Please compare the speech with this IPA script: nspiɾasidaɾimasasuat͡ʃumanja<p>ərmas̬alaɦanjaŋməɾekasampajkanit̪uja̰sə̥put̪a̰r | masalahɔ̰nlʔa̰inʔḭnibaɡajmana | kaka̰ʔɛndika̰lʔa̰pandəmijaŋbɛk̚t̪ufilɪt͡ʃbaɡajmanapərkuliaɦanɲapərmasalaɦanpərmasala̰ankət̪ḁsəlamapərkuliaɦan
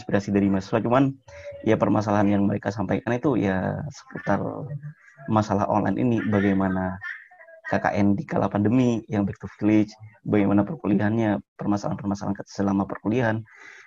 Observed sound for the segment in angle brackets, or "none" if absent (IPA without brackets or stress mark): p